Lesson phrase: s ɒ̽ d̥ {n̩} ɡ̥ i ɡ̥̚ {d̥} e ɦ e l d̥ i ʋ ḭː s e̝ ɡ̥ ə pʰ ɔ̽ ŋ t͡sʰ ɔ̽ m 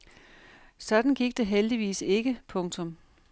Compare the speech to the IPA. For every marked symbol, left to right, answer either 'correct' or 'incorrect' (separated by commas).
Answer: correct, correct